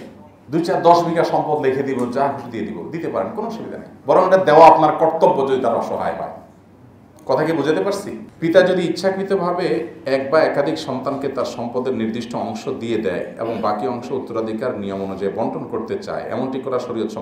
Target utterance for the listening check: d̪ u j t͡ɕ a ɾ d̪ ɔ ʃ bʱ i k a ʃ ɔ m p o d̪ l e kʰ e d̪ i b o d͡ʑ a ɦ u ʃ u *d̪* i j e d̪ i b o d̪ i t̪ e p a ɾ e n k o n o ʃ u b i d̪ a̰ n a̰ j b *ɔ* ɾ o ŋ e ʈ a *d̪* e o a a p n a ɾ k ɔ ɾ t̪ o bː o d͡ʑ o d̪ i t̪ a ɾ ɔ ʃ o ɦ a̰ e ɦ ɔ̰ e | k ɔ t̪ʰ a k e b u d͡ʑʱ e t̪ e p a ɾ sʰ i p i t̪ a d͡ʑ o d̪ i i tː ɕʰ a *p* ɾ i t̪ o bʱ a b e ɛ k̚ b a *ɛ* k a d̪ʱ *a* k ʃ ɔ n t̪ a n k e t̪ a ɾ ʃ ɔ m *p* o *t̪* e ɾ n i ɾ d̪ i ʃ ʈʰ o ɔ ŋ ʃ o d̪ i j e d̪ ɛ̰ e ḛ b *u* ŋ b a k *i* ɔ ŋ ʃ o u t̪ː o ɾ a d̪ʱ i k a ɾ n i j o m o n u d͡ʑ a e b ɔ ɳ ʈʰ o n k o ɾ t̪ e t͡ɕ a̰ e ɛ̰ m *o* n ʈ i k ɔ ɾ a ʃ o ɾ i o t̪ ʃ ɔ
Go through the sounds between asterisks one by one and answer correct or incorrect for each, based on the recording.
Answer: correct, correct, correct, incorrect: k, correct, incorrect: i, correct, incorrect: d̪, incorrect: o, correct, correct

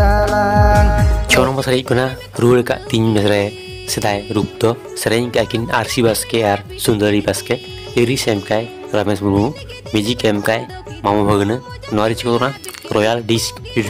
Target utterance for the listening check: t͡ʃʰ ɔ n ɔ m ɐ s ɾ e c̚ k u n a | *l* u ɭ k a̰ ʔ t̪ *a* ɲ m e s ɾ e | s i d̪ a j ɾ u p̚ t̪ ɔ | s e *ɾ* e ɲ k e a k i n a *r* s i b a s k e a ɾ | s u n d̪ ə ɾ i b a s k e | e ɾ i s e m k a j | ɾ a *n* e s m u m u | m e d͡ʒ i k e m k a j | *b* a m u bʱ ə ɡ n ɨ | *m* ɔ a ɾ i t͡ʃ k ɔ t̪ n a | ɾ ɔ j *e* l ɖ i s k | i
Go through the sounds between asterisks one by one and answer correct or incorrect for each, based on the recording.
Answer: incorrect: ɾ, incorrect: i, correct, incorrect: ɾ, incorrect: m, incorrect: m, incorrect: n, incorrect: a

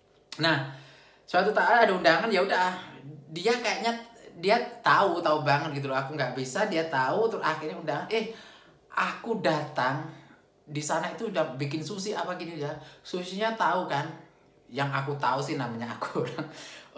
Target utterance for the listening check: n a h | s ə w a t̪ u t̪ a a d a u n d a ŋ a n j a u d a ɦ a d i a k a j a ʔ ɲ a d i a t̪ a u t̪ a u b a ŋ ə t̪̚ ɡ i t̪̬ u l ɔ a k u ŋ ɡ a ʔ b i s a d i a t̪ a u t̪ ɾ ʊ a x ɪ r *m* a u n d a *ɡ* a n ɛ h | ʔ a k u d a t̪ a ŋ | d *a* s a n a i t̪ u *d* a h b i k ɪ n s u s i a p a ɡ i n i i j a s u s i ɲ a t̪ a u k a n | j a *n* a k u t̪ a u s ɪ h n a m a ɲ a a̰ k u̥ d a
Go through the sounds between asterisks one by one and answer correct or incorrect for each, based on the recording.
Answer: incorrect: ɲ, incorrect: ŋ, incorrect: i, correct, incorrect: ŋ

